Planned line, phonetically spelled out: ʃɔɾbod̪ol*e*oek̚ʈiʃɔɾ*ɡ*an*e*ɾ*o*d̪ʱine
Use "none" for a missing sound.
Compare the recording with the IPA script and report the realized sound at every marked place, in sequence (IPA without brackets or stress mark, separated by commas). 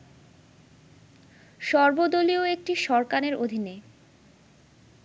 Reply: i, k, e, o